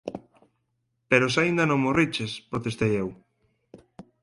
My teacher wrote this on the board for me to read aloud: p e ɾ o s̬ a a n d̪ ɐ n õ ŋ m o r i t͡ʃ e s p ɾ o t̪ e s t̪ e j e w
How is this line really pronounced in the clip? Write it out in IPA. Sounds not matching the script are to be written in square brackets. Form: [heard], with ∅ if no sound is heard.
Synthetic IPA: p e ɾ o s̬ a [i] n d̪ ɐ n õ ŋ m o r i t͡ʃ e s p ɾ o t̪ e s t̪ e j e w